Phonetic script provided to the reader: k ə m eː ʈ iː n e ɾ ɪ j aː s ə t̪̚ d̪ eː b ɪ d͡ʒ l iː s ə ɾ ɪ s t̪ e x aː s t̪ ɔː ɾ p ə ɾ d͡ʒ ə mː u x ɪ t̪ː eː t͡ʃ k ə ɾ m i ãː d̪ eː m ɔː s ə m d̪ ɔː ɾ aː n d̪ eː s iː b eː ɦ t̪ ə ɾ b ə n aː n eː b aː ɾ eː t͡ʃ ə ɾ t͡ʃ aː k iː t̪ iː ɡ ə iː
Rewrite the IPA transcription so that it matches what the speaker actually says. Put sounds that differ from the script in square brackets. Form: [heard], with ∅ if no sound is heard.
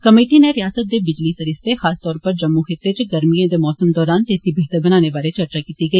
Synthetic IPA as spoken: k ə m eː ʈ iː n e ɾ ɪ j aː s ə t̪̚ d̪ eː b ɪ d͡ʒ l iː s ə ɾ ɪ s t̪ e x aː s t̪ ɔː ɾ p ə ɾ d͡ʒ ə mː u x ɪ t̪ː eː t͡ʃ [ɡ] ə ɾ m i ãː d̪ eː m ɔː s ə m d̪ ɔː ɾ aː n [t̪] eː s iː b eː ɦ t̪ ə ɾ b ə n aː n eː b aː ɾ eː t͡ʃ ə ɾ t͡ʃ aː k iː t̪ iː ɡ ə iː